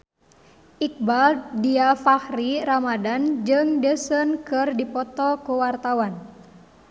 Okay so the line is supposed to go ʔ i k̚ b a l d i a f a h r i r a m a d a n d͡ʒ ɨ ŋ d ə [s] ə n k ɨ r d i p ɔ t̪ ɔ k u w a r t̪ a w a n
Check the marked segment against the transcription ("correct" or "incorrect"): correct